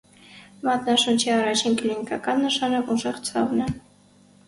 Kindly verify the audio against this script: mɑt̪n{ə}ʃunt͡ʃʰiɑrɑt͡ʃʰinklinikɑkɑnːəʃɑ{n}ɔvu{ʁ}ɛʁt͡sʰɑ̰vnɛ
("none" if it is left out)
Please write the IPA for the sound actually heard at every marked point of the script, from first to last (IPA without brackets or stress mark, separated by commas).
ɑ, n, ʒ